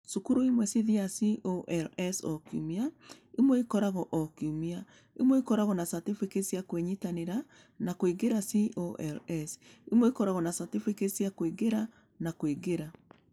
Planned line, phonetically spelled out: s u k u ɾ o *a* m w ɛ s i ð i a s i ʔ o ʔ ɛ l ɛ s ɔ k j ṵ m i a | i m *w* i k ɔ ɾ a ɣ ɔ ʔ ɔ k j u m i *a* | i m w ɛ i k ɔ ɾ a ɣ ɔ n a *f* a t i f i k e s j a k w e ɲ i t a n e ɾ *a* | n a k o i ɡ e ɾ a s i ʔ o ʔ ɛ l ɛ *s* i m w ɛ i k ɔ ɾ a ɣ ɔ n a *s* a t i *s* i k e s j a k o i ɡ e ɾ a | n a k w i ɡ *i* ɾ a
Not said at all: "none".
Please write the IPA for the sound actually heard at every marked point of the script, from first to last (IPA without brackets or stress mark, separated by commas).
i, w, a, s, a, s, s, f, e